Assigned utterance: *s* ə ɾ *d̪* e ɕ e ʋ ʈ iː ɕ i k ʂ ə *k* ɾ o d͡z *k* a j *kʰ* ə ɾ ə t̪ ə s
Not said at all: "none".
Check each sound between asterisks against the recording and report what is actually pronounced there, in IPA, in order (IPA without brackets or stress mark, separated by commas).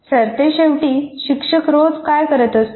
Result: s, t̪, k, k, k